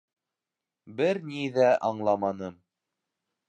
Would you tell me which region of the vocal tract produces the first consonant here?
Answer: lips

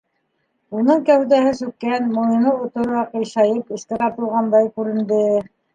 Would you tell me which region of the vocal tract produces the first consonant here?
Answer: tongue tip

